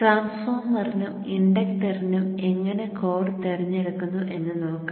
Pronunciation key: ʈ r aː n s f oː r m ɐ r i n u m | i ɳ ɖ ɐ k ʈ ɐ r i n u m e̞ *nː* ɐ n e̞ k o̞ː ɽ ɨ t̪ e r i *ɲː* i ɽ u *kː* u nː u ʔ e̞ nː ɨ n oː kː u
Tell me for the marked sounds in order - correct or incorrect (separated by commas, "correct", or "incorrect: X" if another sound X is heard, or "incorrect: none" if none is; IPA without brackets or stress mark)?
incorrect: ŋː, correct, correct